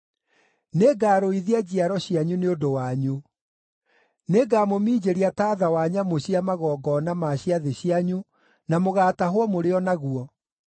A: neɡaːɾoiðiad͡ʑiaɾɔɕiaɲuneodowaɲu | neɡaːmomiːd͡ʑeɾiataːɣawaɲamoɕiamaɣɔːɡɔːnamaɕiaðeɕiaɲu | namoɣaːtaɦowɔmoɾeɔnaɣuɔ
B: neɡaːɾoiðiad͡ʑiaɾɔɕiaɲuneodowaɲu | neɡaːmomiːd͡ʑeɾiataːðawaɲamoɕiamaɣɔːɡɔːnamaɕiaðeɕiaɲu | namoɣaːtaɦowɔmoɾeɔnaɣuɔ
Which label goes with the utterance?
B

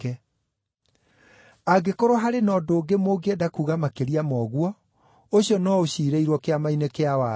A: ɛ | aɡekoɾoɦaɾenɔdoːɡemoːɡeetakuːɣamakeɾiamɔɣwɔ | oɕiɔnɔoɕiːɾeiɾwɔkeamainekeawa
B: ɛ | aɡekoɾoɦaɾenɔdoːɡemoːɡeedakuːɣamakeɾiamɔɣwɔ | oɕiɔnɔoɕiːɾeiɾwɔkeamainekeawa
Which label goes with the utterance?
B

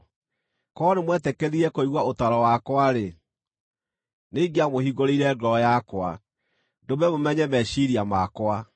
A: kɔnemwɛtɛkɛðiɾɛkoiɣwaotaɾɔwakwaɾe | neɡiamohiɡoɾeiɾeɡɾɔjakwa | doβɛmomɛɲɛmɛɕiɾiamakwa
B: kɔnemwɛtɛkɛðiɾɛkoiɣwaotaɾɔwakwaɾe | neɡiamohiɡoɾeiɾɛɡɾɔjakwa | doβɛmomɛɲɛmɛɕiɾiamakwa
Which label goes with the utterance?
B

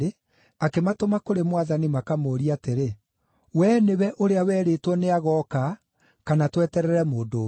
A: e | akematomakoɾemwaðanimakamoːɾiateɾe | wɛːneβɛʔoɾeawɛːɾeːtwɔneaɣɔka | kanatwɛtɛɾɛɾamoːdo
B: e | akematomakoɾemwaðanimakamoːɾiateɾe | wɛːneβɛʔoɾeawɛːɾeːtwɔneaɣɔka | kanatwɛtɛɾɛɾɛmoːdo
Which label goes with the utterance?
B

